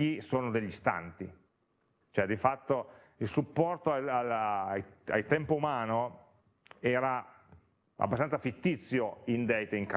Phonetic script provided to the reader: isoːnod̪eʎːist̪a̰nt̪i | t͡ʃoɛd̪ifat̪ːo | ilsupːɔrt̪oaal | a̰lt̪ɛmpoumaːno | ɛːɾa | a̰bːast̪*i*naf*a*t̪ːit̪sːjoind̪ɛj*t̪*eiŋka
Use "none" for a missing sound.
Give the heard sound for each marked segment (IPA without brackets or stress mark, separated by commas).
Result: a, i, t̪